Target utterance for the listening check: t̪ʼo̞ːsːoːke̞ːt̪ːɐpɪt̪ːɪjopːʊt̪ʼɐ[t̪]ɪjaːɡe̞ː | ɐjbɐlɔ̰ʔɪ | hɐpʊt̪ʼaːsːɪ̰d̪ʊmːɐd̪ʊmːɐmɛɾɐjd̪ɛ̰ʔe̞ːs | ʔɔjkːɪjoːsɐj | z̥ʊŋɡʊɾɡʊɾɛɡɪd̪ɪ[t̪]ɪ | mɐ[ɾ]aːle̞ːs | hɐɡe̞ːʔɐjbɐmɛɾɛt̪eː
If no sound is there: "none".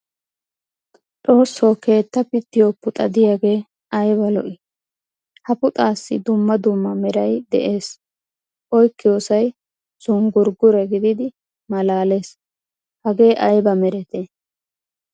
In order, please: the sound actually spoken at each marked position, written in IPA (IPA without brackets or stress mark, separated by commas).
d̪, d̪, l